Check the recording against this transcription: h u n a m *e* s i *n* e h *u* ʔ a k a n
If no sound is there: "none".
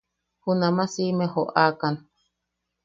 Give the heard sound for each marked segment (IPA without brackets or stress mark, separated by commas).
a, m, o